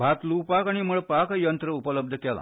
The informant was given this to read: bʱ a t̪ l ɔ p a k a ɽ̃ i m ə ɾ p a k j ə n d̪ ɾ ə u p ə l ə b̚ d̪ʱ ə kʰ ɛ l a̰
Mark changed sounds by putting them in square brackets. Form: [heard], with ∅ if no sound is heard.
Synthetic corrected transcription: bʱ a t̪ l [u] p a k a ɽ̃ i m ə [ɭ] p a k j ə n [t̪] ɾ ə u p ə l ə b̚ d̪ʱ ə [k] ɛ l a̰